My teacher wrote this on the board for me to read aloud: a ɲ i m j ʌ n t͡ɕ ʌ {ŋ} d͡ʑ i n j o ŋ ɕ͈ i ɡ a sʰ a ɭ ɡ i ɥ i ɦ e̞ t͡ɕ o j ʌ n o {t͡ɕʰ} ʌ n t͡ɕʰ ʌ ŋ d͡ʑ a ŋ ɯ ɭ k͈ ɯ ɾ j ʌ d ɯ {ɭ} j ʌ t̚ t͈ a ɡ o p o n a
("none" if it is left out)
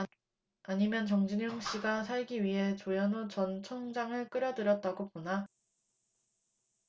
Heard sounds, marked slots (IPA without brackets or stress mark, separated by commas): ŋ, t͡ɕ, ɾ